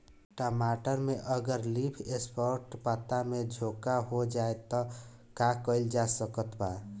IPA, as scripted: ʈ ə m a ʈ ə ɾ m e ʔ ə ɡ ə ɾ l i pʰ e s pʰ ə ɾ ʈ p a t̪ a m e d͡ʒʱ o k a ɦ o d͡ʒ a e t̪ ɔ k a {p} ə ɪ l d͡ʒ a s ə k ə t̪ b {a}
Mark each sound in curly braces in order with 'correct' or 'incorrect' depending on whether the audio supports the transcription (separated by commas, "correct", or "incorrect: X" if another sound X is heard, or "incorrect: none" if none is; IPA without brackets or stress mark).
incorrect: k, correct